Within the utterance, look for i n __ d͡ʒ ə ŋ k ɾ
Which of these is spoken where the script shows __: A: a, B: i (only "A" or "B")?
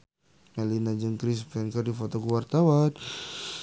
A